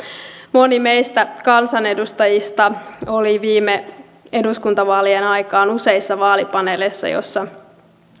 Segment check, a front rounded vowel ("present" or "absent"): absent